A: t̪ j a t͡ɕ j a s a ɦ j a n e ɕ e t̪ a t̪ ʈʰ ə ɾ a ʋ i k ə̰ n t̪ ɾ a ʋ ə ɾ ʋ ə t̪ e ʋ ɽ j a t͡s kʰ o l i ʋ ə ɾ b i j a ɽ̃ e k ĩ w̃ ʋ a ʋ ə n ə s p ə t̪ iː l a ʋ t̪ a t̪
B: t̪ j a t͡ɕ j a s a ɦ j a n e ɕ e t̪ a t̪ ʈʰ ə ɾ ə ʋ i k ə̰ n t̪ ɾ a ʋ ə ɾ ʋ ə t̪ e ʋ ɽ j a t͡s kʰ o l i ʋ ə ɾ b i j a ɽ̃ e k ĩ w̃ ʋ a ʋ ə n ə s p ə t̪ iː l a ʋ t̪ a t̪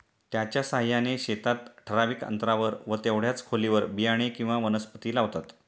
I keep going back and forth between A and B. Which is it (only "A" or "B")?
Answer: A